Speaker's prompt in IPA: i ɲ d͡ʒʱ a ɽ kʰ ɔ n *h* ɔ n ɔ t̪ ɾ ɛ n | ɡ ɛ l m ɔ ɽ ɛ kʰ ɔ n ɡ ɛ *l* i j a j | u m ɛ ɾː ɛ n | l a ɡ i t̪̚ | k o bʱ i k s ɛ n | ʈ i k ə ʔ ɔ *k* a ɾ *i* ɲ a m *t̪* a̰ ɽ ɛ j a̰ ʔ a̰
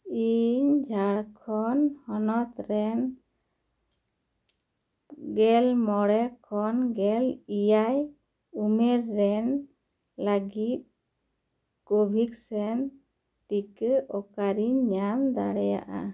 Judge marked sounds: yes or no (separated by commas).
yes, yes, yes, yes, no